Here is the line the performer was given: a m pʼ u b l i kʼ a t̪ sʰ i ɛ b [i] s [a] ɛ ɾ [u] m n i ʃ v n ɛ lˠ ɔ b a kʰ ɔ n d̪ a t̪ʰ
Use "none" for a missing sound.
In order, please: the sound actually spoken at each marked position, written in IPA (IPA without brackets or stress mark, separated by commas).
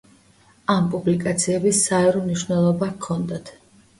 i, a, ɔ